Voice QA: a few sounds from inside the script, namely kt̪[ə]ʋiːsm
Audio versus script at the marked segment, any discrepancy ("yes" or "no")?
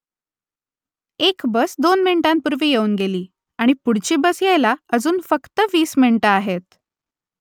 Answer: no